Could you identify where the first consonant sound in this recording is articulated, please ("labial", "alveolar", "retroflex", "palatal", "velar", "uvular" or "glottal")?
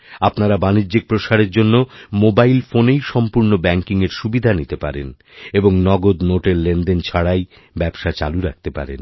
labial